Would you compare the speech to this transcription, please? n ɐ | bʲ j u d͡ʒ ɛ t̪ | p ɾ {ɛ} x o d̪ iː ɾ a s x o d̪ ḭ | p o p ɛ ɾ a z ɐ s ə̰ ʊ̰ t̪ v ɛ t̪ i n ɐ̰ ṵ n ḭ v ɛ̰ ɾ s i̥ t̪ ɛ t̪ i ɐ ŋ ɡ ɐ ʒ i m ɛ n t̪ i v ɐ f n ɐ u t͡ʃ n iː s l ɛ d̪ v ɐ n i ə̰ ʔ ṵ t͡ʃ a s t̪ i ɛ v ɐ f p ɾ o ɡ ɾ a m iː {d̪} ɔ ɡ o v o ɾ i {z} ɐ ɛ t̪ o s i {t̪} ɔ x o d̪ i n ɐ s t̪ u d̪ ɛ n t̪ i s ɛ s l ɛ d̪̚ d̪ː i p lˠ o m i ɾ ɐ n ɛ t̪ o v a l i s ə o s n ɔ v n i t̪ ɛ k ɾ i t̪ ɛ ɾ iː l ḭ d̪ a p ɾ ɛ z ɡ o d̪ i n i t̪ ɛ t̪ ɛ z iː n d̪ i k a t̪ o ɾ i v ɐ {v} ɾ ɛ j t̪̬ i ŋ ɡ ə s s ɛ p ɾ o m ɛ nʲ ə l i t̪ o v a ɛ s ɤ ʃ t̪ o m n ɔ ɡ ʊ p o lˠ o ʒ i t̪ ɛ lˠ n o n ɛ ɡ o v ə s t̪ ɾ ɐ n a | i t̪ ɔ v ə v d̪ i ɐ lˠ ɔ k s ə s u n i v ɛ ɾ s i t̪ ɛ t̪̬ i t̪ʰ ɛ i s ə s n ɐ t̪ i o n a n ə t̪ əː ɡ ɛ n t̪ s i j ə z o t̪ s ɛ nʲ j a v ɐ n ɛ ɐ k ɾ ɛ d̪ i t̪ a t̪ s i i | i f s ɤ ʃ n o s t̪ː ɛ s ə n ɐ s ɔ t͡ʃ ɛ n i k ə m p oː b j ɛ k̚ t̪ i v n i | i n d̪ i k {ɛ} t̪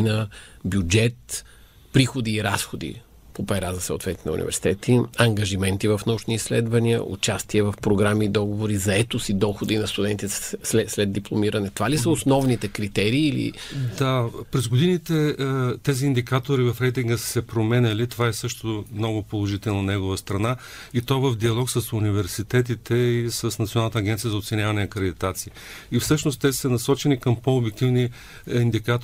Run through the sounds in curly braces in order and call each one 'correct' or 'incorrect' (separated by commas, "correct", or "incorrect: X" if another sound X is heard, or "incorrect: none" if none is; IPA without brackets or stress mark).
incorrect: i, correct, correct, incorrect: d̪, incorrect: f, incorrect: a